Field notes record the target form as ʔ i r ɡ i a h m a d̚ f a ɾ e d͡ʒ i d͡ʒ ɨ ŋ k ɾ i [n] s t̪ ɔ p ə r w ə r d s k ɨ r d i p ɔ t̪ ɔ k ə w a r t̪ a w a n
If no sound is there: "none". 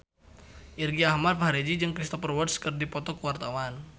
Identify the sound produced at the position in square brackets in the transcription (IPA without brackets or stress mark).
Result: none